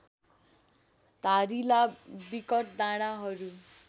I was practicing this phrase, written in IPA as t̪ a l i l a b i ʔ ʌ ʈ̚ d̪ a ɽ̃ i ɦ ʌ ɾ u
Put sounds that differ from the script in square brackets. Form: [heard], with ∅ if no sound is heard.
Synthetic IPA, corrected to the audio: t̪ a [ɾ] i l a b i [k] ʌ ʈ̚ d̪ a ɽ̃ [a] ɦ ʌ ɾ u